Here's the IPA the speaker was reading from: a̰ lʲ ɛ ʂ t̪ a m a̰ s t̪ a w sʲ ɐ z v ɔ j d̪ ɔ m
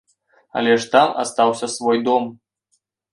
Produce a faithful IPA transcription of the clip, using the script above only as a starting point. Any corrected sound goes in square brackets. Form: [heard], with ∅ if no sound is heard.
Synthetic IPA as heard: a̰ lʲ ɛ ʂ t̪ a m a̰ s t̪ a w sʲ ɐ [s] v ɔ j d̪ ɔ m